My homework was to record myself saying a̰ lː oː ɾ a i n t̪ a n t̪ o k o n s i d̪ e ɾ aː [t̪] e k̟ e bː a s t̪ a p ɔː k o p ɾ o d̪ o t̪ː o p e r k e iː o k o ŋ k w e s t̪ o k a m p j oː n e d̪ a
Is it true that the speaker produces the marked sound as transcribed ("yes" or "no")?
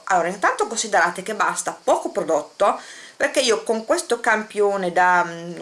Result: yes